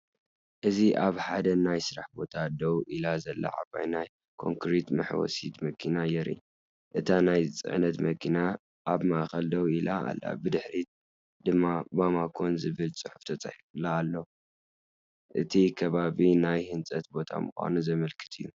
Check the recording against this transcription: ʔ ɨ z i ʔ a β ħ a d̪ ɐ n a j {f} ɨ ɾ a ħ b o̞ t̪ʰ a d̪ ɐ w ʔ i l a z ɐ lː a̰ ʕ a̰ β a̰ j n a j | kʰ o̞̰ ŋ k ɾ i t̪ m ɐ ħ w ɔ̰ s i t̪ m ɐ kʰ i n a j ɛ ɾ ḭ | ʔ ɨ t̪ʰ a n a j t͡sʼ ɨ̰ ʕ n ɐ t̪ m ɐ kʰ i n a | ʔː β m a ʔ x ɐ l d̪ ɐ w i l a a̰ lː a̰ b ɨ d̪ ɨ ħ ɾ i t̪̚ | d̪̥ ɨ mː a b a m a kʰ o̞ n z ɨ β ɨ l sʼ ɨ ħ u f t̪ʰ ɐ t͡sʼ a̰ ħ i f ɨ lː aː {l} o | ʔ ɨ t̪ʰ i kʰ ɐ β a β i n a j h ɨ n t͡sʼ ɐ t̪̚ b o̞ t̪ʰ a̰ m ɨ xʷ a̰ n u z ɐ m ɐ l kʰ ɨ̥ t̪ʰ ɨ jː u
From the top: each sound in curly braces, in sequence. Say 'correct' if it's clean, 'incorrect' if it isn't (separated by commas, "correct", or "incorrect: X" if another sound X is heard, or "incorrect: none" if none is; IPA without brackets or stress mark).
incorrect: s, incorrect: lː